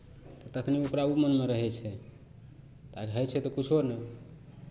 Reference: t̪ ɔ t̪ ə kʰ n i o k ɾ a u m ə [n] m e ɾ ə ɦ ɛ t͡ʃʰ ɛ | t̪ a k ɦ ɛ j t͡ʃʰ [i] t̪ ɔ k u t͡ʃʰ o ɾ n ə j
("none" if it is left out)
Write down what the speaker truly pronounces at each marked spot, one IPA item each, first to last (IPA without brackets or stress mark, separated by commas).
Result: n, ɛ